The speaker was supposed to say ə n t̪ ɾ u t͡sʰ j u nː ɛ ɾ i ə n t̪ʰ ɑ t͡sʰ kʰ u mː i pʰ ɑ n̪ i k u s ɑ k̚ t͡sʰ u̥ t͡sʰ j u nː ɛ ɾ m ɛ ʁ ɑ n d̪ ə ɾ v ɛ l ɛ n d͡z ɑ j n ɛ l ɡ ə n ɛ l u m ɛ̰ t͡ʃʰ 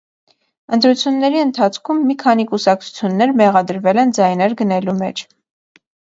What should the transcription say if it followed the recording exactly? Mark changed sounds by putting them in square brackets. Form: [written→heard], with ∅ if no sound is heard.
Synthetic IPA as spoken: ə n t̪ ɾ u t͡sʰ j u nː ɛ ɾ i ə n t̪ʰ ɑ t͡sʰ kʰ u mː i [pʰ→kʰ] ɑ n̪ i k u s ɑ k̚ t͡sʰ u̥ t͡sʰ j u nː ɛ ɾ m ɛ ʁ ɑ [n→∅] d̪ ə ɾ v ɛ l ɛ n d͡z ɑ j n ɛ [l→ɾ] ɡ ə n ɛ l u m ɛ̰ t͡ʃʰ